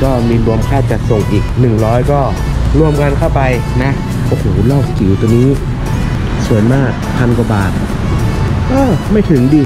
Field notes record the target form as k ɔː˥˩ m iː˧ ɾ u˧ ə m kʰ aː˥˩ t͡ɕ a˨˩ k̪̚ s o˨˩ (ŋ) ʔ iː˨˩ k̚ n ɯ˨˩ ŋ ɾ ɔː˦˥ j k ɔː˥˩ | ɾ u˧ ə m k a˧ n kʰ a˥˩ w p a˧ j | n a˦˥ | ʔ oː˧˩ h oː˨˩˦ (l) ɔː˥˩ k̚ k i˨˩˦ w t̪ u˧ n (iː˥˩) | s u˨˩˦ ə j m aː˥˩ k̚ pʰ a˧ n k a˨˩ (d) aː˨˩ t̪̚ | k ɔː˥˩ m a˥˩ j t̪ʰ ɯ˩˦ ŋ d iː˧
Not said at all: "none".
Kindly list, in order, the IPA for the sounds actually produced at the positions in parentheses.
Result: ŋ, l, iː˦˥, b

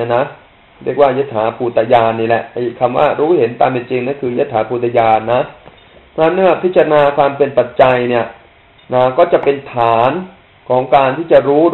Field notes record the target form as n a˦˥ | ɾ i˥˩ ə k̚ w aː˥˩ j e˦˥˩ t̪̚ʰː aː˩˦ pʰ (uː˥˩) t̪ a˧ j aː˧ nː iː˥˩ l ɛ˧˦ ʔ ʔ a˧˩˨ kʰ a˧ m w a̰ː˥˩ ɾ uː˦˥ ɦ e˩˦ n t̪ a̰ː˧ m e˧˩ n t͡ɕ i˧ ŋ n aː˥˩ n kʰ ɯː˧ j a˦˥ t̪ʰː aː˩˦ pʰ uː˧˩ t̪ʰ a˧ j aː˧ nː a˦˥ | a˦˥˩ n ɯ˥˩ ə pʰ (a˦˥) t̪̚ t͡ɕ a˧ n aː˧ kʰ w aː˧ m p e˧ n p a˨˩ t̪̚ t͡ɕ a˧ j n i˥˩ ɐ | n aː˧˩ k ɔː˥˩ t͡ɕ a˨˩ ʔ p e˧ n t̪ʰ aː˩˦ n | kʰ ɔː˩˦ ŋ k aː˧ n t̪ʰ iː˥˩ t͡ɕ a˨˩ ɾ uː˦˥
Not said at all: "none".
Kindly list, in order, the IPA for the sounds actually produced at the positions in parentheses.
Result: uː˧˩, i˦˥

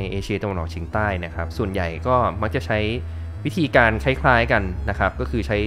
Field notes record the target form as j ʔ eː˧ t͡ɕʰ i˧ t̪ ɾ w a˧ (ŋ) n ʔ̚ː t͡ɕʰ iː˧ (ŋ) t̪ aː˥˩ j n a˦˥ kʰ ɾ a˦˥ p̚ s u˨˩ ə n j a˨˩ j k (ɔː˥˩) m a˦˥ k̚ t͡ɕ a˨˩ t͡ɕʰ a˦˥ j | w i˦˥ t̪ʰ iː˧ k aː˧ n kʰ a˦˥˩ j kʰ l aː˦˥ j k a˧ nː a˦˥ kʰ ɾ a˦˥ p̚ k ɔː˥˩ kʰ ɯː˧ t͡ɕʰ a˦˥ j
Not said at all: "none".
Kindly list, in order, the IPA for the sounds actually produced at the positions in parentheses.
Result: none, ŋ, ɔː˥˩

